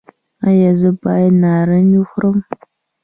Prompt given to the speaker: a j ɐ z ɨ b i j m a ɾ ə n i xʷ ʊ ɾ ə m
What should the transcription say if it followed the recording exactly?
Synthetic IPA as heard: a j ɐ z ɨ b a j n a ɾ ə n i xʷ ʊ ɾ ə m